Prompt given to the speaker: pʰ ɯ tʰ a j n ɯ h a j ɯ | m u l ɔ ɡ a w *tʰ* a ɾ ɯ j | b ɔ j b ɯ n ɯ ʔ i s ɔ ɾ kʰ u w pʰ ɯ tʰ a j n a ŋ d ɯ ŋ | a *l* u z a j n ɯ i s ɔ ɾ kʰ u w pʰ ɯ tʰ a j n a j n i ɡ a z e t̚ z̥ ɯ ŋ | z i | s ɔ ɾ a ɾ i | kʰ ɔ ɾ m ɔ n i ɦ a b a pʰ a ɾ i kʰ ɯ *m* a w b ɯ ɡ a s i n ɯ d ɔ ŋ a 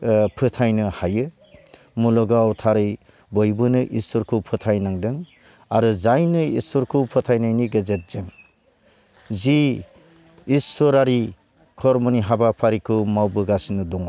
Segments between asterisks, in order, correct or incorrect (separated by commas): correct, incorrect, correct